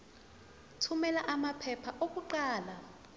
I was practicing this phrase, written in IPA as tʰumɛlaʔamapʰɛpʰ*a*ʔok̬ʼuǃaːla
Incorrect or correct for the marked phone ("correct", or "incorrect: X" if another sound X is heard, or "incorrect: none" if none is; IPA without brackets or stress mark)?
correct